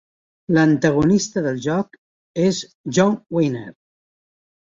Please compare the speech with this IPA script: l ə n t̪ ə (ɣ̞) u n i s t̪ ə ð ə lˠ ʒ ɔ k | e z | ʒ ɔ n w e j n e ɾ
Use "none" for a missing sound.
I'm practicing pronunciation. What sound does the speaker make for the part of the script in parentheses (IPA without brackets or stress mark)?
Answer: ɣ̞